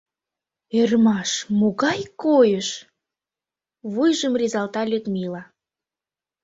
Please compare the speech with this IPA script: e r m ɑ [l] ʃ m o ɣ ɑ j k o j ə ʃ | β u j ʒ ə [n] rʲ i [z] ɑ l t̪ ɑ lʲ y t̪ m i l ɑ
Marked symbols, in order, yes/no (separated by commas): no, no, yes